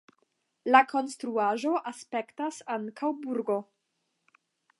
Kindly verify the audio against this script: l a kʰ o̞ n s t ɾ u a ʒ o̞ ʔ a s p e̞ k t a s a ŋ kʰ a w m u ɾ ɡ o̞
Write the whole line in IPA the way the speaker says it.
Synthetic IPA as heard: l a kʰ o̞ n s t ɾ u a ʒ o̞ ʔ a s p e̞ k t a s a ŋ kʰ a w b u ɾ ɡ o̞

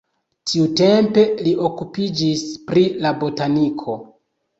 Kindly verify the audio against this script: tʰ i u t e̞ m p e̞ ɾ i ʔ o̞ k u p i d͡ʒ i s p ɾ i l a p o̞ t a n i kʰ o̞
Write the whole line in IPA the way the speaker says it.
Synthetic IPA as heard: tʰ i u t e̞ m p e̞ l i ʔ o̞ k u p i d͡ʒ i s p ɾ i l a b o̞ t a n i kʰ o̞

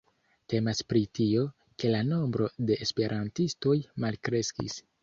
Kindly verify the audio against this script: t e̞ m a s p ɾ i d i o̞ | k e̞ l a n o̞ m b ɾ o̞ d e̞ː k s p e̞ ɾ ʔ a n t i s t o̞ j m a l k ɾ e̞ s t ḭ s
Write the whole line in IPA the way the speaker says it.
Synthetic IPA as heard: t e̞ m a s p ɾ i t i o̞ | k e̞ l a n o̞ m b ɾ o̞ d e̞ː s p e̞ ɾ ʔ a n t i s t o̞ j m a l k ɾ e̞ s k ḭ s

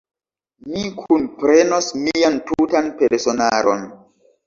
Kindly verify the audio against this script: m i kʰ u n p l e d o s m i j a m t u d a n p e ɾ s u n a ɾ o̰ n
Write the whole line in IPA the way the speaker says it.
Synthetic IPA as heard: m i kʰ u n p ɾ e n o s m i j a n t u t a n p e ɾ s o n a ɾ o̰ n

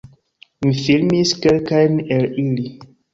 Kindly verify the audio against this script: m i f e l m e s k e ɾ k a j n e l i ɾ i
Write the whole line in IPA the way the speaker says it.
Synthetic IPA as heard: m i f i l m i s k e l k a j n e l i l i

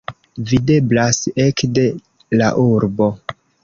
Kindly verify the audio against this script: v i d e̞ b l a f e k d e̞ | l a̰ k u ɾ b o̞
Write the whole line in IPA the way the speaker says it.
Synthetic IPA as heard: v i d e̞ b l a s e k d e̞ | l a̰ ʔ u ɾ b o̞

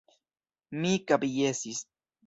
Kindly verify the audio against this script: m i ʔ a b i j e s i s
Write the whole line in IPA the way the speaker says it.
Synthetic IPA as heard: m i k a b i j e s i s

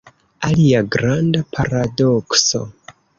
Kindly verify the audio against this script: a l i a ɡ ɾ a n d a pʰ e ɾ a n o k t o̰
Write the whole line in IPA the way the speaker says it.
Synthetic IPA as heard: a l i a ɡ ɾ a n d a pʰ a ɾ a d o k s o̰

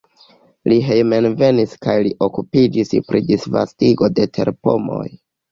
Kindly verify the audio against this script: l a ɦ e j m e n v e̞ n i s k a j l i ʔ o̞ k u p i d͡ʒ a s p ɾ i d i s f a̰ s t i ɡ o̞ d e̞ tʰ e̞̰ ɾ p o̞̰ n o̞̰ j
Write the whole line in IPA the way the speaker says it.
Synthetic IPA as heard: l i ɦ e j m e n v e̞ n i s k a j l i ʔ o̞ k u p i d͡ʒ i s p ɾ i d i s v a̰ s t i ɡ o̞ d e̞ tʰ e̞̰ ɾ p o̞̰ m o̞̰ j

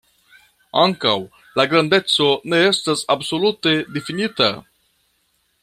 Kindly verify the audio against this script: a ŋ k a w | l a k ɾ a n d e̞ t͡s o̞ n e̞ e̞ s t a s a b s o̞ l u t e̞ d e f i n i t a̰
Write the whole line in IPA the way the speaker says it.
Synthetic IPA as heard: a ŋ k a w | l a ɡ ɾ a n d e̞ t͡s o̞ n e̞ e̞ s t a s a b s o̞ l u t e̞ d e f i n i t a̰

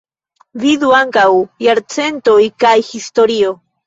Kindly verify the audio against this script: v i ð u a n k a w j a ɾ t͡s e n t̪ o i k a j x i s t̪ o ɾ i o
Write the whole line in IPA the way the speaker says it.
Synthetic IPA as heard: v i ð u a ŋ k a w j a ɾ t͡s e n t̪ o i k a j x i s t̪ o ɾ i o

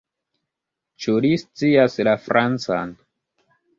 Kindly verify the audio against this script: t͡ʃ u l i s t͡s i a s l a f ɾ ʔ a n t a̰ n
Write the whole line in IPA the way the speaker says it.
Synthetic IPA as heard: t͡ʃ u l i s t͡s i a s l a f ɾ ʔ a n t͡s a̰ n

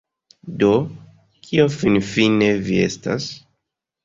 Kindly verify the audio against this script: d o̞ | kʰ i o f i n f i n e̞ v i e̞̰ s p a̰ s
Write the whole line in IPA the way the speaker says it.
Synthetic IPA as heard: d o̞ | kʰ i o f i n f i n e̞ v i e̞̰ s t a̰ s

